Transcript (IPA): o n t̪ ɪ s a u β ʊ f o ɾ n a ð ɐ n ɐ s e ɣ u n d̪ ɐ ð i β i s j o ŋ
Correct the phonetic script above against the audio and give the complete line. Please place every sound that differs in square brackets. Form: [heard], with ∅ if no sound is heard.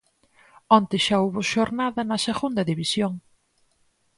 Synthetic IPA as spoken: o n t̪ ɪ [ʃ] a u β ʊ [ʃ] o ɾ n a ð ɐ n ɐ s e ɣ u n d̪ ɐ ð i β i s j o ŋ